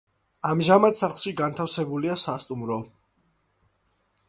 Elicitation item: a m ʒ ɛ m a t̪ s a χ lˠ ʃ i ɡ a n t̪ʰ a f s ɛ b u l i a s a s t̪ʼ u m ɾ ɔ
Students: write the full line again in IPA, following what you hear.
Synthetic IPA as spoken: a m ʒ a m a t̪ s a χ lˠ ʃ i ɡ a n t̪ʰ a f s ɛ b u l i a s a s t̪ʼ u m ɾ ɔ